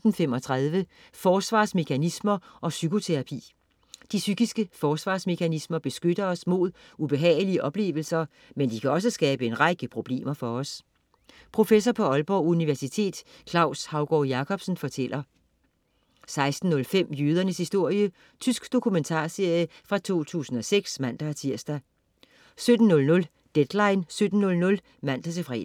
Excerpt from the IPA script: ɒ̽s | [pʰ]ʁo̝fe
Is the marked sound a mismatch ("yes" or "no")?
no